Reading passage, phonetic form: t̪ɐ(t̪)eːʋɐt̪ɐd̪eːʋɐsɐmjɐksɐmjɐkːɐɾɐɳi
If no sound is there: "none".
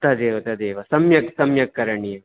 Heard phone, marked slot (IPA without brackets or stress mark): d̪